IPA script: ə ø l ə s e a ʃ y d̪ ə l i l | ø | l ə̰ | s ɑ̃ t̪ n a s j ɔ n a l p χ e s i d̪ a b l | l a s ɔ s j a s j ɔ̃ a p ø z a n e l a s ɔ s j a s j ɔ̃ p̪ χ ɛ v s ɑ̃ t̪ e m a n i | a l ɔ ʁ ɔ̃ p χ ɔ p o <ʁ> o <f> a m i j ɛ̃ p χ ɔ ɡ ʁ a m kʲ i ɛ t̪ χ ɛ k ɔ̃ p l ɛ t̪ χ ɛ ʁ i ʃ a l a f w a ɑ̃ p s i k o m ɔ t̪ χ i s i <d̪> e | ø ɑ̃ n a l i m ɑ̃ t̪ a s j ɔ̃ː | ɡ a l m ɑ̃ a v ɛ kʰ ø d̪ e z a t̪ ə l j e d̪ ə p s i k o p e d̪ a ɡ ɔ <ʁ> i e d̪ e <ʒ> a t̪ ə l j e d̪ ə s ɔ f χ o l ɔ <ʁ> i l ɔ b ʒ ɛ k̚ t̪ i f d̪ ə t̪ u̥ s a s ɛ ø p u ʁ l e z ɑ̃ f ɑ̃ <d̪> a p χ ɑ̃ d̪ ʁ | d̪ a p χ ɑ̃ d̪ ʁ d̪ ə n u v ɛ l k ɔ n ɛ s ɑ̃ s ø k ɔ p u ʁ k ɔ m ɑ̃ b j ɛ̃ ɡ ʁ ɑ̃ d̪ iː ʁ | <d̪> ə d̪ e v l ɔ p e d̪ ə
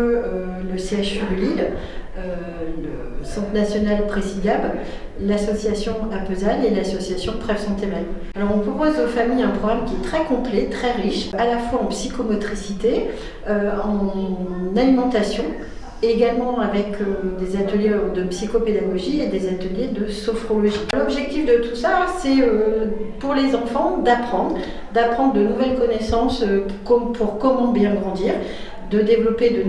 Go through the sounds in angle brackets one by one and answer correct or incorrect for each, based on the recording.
incorrect: z, correct, incorrect: t̪, incorrect: ʒ, incorrect: z, incorrect: ʒ, correct, correct

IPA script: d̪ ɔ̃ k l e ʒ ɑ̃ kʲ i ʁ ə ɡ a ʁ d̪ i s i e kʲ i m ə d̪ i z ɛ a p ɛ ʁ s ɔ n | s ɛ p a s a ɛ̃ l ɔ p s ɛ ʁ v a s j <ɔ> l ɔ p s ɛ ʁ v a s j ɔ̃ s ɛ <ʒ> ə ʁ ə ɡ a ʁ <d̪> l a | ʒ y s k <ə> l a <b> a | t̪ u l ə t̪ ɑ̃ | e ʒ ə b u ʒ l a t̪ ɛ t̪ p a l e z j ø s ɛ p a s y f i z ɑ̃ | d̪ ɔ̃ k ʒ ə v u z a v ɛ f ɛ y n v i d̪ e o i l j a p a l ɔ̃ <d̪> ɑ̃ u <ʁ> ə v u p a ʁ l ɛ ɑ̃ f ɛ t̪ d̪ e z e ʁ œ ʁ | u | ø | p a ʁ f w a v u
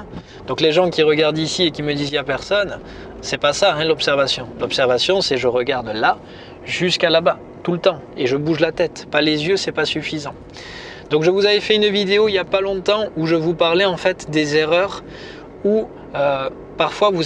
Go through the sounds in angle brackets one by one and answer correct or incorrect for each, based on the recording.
incorrect: ɔ̃, correct, correct, incorrect: a, correct, incorrect: t̪, incorrect: ʒ

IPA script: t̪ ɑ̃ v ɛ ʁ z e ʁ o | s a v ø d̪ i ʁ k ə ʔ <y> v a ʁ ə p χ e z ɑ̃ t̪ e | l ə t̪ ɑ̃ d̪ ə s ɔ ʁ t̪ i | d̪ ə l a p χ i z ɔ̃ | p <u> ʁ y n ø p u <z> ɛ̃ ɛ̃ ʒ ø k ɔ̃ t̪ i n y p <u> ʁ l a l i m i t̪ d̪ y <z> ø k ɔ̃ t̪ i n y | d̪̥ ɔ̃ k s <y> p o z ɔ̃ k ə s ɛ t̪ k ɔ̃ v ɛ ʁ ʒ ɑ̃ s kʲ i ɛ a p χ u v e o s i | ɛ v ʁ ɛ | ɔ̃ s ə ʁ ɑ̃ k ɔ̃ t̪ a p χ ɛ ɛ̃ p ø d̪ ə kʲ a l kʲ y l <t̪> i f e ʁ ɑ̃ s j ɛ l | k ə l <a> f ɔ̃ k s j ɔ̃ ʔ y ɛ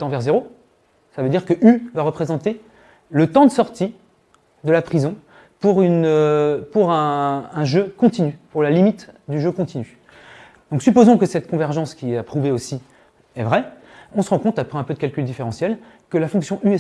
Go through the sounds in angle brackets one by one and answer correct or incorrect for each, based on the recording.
correct, correct, incorrect: ʁ, correct, incorrect: ʒ, correct, incorrect: d̪, correct

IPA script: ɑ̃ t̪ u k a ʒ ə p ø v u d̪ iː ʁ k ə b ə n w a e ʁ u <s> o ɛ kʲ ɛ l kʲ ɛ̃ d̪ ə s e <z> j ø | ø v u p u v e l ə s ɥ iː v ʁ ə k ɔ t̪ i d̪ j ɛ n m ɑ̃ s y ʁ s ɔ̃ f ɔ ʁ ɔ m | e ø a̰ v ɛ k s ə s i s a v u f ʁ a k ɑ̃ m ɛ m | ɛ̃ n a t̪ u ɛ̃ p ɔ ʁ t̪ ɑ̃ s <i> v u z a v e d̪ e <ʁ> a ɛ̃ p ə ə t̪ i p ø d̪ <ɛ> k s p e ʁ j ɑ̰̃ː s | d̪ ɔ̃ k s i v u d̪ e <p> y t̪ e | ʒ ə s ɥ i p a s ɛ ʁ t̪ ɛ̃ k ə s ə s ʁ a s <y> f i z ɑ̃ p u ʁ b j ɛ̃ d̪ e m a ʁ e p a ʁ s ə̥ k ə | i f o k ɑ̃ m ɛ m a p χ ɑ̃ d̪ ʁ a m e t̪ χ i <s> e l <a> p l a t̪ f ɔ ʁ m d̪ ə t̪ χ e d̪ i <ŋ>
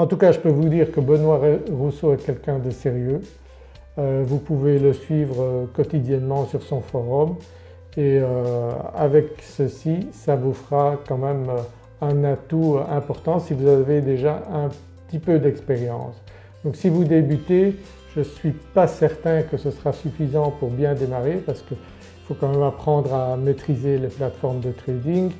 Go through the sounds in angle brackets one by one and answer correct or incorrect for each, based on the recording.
correct, incorrect: ʁ, correct, incorrect: ʒ, correct, incorrect: b, correct, incorrect: z, incorrect: e, correct

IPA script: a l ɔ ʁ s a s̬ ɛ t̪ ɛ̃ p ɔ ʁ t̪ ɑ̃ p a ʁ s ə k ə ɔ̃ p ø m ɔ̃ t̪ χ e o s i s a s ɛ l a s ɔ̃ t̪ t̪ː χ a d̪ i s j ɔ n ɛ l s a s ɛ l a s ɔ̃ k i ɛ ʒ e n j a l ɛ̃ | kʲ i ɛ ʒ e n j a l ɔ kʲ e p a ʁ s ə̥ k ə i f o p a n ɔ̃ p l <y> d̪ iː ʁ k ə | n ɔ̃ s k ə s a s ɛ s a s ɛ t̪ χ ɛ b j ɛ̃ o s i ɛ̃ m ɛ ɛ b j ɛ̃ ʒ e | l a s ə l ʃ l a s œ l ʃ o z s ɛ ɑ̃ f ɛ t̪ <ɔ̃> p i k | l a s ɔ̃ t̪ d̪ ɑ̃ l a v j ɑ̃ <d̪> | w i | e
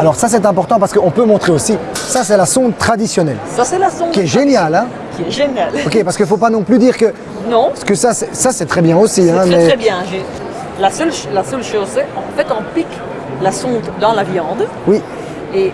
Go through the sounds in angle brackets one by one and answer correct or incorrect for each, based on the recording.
correct, correct, correct

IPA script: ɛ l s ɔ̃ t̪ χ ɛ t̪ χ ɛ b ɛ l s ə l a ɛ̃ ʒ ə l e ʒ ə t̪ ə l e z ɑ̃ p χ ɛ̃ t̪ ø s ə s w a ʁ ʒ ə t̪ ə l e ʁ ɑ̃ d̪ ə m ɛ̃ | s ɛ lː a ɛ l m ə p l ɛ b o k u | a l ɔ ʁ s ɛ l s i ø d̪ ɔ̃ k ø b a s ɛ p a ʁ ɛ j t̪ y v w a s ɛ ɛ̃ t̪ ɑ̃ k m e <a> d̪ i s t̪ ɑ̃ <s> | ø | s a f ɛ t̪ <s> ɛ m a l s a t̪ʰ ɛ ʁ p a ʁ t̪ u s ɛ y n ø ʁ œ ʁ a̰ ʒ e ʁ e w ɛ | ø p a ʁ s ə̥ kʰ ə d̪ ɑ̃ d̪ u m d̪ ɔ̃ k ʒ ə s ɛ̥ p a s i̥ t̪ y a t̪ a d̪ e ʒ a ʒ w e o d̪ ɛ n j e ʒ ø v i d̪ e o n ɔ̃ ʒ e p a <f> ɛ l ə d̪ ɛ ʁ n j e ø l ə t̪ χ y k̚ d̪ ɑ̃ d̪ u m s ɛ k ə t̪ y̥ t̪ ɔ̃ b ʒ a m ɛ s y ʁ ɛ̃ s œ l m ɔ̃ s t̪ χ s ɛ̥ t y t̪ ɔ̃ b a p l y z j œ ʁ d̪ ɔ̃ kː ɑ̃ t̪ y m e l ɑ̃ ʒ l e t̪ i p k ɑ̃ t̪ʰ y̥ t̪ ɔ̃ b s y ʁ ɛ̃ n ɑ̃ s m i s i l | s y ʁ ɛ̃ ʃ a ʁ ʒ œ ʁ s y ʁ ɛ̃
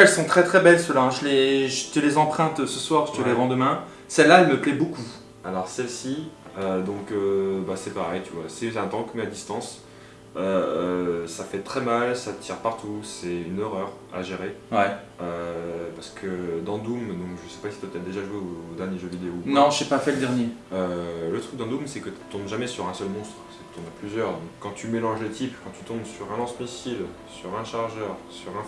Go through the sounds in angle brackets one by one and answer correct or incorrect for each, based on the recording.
correct, correct, incorrect: χ, correct

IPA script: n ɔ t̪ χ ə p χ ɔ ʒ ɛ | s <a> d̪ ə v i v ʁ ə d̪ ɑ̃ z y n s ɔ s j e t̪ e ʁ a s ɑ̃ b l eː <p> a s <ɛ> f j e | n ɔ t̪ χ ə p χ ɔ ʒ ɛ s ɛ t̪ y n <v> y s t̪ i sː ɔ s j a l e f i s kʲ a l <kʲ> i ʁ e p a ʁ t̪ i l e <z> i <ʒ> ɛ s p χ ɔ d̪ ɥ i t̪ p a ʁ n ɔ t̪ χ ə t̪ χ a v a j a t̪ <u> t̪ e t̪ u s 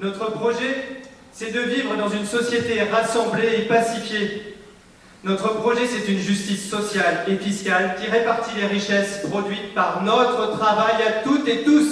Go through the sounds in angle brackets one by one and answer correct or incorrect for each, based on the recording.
incorrect: ɛ, correct, incorrect: i, incorrect: ʒ, correct, incorrect: ʁ, incorrect: ʃ, correct

